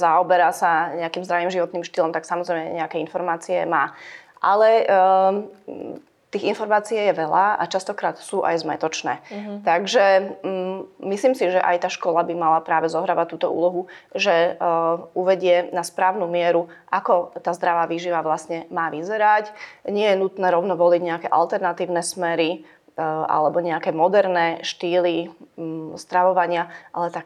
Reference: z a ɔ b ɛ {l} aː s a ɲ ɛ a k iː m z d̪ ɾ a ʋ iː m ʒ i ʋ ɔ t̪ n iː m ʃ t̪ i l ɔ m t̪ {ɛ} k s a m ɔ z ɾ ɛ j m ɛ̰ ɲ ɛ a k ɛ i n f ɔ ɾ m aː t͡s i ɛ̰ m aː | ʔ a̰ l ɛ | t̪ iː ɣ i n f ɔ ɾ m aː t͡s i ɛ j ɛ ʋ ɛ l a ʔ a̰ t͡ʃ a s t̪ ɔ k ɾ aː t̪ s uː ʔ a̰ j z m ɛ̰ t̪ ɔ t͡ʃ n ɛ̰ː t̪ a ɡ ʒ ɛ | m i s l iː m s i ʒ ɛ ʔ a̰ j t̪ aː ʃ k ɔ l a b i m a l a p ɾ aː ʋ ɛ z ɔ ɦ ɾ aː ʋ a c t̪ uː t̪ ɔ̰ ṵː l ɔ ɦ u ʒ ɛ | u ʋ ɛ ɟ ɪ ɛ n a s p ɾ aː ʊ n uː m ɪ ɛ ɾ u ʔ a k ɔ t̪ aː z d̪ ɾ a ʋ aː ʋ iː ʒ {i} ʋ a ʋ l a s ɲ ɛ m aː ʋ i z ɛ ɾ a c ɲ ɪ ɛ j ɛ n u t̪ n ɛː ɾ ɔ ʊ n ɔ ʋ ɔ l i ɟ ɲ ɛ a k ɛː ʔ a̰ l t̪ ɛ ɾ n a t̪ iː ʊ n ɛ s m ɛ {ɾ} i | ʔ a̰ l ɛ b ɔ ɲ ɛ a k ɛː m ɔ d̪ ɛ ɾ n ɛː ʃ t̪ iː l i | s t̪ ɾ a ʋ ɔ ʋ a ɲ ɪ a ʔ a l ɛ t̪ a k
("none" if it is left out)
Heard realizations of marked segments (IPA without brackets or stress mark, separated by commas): ɾ, a, i, ɾ